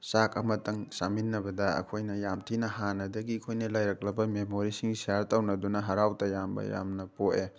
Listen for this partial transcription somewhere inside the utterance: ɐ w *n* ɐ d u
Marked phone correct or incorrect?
correct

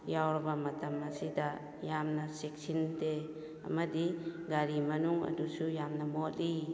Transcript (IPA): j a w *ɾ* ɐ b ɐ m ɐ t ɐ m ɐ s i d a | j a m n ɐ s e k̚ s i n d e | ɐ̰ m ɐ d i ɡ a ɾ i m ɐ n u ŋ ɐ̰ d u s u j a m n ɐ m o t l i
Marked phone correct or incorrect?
correct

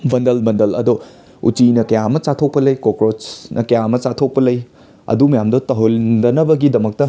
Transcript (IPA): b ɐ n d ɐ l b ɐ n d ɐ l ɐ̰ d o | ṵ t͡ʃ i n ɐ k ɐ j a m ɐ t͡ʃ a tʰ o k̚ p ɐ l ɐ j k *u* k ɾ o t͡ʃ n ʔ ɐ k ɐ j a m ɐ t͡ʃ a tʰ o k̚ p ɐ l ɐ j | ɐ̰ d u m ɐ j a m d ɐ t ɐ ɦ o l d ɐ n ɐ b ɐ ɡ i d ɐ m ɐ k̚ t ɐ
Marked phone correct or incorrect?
incorrect: o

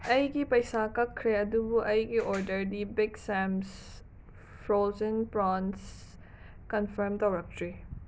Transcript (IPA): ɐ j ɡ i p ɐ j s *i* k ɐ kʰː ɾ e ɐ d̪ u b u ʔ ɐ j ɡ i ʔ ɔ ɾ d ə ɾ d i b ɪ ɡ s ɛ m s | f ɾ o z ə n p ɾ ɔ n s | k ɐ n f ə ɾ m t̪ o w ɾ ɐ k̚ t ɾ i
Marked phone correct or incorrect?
incorrect: a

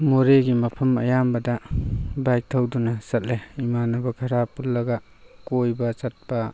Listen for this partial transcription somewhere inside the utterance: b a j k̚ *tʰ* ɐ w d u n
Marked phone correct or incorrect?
correct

